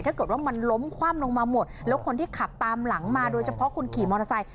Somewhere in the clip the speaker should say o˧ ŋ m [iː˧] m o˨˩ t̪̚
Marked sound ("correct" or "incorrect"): incorrect